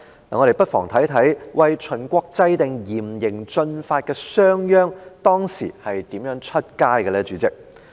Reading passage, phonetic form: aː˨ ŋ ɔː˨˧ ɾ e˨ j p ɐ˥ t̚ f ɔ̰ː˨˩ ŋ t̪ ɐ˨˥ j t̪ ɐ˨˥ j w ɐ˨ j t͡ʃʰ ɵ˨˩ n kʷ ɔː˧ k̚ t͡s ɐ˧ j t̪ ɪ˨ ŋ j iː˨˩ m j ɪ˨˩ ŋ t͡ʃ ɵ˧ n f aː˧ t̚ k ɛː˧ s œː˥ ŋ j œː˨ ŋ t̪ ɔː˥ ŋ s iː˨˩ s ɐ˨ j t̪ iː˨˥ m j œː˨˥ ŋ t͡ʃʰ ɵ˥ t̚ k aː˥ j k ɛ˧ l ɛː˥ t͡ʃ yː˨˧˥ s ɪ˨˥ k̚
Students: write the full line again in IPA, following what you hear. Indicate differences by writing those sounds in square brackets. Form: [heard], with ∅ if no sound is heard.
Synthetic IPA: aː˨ ŋ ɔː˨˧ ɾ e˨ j p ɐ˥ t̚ f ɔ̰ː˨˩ ŋ [t̪ʰ] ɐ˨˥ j [t̪ʰ] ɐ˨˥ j w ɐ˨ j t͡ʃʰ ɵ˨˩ n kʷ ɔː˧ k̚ t͡s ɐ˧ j t̪ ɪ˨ ŋ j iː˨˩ m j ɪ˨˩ ŋ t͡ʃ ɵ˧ n f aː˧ t̚ k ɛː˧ s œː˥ ŋ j [œː˥] ŋ t̪ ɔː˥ ŋ s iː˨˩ [h] ɐ˨ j t̪ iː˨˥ m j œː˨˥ ŋ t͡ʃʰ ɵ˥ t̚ k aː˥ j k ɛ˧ l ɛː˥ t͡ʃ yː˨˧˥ [t͡s] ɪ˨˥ k̚

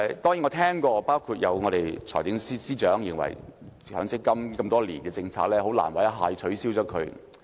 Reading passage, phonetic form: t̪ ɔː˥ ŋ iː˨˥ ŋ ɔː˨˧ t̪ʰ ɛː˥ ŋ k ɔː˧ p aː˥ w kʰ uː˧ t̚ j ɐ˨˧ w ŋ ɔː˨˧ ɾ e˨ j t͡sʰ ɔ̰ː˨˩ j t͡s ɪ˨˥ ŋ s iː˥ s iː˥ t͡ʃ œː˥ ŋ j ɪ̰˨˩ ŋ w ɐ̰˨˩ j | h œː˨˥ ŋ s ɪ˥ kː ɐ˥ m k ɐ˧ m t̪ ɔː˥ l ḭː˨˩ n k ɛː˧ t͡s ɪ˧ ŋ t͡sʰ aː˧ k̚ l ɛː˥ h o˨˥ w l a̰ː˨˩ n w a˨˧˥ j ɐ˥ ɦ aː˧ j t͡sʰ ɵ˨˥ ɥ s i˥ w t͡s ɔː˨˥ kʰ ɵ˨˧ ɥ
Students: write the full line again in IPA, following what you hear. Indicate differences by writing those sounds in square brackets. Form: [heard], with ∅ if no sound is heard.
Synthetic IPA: t̪ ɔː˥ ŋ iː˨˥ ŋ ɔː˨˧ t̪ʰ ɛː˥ ŋ k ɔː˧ p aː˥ w kʰ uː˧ t̚ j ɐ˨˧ w ŋ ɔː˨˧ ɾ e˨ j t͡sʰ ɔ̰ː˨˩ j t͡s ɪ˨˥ ŋ s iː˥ s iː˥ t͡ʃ [œː˨˥] ŋ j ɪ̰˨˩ ŋ w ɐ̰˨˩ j | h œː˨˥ ŋ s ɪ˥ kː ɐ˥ m k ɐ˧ m t̪ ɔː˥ l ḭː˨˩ n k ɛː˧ t͡s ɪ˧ ŋ t͡sʰ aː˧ k̚ l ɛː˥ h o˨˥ w l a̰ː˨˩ n w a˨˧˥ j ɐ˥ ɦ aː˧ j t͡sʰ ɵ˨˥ ɥ s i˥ w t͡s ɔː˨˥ kʰ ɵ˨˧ ɥ

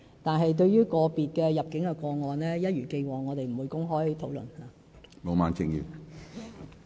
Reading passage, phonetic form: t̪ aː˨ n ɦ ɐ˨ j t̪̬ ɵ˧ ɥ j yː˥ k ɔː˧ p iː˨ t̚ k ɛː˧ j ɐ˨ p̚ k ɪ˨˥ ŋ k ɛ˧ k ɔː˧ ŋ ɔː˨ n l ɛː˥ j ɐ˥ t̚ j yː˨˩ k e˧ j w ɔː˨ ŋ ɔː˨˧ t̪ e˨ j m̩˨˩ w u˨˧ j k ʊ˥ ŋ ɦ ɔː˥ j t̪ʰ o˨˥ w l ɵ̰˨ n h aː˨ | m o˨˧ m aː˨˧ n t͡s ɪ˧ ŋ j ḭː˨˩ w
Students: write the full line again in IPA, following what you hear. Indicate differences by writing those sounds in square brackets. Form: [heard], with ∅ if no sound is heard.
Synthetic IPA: t̪ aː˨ n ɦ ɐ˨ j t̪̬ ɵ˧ ɥ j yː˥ k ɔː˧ p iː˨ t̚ k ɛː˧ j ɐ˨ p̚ k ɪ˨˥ ŋ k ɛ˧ k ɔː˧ ŋ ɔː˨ n l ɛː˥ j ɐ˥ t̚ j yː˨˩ k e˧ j w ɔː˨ ŋ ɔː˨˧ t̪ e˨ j m̩˨˩ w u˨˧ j k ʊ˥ ŋ ɦ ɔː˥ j t̪ʰ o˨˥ w l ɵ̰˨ n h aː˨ | m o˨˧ m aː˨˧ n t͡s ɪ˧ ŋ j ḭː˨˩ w

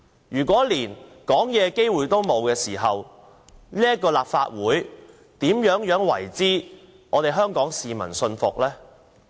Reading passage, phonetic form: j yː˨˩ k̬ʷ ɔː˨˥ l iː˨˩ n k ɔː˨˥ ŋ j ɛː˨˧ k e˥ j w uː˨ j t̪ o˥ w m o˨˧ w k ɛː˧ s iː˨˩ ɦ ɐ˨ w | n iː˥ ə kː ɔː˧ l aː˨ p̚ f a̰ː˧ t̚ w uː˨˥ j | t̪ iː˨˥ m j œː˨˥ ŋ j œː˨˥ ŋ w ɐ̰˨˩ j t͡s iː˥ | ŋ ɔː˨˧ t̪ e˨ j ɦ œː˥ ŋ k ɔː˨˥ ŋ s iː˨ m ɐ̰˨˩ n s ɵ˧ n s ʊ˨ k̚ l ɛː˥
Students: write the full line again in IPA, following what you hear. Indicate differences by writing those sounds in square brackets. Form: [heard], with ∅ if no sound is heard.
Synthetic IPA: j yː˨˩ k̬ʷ ɔː˨˥ l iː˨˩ n k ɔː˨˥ ŋ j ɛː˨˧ k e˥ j w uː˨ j t̪ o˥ w m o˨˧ w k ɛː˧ s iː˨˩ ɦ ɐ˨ w | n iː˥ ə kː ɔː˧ l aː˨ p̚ f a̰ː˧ t̚ w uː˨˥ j | t̪ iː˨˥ m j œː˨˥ ŋ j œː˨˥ ŋ w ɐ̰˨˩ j t͡s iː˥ | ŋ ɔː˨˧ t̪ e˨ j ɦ œː˥ ŋ k ɔː˨˥ ŋ s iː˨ m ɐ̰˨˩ n s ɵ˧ n [f] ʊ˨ k̚ l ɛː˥

